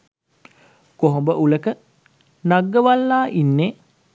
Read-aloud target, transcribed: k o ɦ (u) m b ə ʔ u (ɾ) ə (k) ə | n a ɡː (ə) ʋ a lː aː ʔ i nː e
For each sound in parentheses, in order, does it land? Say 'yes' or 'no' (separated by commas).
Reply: no, no, yes, yes